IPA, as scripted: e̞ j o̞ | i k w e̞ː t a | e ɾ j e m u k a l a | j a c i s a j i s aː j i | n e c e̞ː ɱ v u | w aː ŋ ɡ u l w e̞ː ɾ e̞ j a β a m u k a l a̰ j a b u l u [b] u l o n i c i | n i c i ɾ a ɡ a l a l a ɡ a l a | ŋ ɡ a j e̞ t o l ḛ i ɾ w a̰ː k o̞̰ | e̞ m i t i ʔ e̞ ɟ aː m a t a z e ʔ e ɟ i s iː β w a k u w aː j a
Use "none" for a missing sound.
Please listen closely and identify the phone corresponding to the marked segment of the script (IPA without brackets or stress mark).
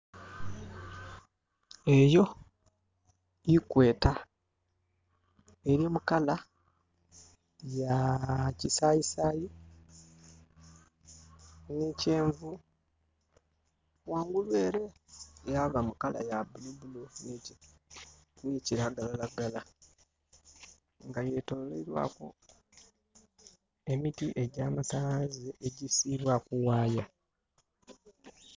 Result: b